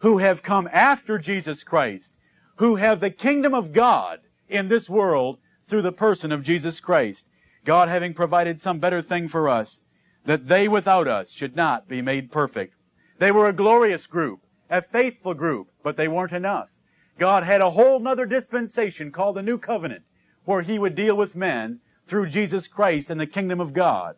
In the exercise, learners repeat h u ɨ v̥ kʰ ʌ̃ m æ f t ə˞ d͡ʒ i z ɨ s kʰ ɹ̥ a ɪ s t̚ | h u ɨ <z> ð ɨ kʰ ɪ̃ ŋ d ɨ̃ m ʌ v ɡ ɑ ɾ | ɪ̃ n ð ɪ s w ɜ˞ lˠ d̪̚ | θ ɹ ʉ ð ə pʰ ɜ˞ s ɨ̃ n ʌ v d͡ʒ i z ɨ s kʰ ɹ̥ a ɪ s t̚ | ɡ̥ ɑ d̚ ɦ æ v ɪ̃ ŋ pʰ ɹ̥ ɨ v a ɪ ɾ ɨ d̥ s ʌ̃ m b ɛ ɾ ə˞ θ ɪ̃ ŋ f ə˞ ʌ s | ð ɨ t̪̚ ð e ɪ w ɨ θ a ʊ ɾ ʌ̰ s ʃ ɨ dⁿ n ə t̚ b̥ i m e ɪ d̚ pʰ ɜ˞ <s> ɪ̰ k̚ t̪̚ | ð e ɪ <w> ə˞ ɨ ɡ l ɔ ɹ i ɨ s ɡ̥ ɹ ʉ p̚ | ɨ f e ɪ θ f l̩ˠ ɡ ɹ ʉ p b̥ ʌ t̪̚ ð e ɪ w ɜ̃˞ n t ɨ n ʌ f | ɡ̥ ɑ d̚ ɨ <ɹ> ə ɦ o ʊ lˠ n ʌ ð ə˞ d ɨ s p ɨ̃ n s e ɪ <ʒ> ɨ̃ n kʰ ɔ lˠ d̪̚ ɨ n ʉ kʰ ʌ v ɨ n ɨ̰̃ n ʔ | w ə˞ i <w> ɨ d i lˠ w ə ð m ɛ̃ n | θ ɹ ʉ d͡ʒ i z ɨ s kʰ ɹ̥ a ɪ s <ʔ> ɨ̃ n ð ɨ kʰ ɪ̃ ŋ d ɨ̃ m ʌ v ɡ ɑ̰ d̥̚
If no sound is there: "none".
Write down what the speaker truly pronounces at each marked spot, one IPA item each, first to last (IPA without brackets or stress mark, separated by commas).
v, f, w, ɾ, ʃ, w, t